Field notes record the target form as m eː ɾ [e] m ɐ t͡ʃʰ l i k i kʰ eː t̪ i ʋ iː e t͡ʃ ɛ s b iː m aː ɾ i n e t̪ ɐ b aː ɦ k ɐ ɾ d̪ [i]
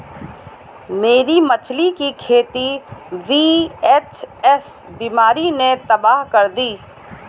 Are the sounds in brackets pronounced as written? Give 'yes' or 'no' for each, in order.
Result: no, no

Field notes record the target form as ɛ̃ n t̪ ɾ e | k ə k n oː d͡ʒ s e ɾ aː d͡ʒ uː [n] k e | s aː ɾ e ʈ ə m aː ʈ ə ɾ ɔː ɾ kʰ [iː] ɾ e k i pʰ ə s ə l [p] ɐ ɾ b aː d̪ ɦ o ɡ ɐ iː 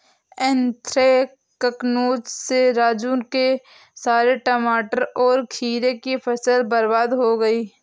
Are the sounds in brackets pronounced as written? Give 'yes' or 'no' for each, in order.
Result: yes, yes, no

